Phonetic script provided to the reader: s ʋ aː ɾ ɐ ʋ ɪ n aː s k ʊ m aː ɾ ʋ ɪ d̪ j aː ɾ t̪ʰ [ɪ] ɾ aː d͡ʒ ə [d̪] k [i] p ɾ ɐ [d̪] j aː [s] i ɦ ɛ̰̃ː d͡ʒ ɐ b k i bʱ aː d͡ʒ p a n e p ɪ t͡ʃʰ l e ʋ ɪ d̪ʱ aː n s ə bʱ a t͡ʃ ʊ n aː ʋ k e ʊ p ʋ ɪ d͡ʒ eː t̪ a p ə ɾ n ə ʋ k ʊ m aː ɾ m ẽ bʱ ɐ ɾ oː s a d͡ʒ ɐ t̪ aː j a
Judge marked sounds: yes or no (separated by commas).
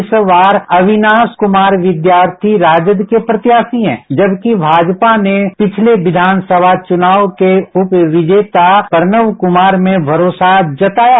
no, yes, no, no, yes